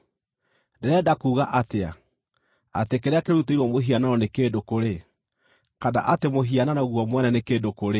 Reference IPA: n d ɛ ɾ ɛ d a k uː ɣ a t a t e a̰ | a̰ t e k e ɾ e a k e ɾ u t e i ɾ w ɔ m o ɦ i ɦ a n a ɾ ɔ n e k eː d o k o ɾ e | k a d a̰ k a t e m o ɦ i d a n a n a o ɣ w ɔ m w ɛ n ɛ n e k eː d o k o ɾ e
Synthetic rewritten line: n d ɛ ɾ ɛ d a k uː ɣ a ʔ a t e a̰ | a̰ t e k e ɾ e a k e ɾ u t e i ɾ w ɔ m o ɦ i a n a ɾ ɔ n e k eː d o k o ɾ e | k a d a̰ ʔ a t e m o ɦ i a n a n a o ɣ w ɔ m w ɛ n ɛ n e k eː d o k o ɾ e